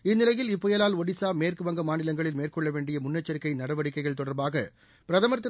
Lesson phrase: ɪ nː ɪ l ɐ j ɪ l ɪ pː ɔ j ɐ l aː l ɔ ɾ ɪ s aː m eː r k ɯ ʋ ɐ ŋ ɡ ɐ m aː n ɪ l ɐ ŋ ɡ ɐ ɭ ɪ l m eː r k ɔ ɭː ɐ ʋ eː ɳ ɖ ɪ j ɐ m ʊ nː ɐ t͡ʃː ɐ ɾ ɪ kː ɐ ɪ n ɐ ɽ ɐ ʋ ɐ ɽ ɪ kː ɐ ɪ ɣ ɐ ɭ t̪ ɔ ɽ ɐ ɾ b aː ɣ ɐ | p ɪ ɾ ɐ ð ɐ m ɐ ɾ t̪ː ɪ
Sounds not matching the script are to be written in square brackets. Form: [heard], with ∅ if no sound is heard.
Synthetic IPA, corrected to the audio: ɪ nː ɪ l ɐ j ɪ l ɪ pː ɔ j ɐ l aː l ɔ [ɽ] ɪ s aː m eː r k ɯ ʋ ɐ ŋ ɡ ɐ m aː n ɪ l ɐ ŋ ɡ ɐ ɭ ɪ l m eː r k ɔ ɭː ɐ ʋ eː ɳ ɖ ɪ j ɐ m ʊ nː ɐ t͡ʃː ɐ ɾ ɪ kː ɐ ɪ n ɐ ɽ ɐ ʋ ɐ ɽ ɪ kː ɐ ɪ ɣ ɐ ɭ t̪ ɔ ɽ ɐ ɾ b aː ɣ ɐ | p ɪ ɾ ɐ ð ɐ m ɐ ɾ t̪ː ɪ